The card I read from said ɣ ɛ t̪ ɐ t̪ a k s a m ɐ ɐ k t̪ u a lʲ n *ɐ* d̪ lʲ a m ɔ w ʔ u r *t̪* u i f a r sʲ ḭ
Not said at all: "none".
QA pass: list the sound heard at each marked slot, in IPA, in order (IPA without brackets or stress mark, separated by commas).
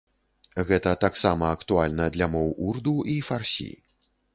ɐ, d̪